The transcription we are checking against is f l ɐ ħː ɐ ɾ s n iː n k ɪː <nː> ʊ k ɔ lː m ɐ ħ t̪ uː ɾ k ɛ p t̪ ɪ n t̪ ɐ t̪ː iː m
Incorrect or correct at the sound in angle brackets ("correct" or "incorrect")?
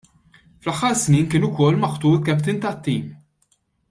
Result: incorrect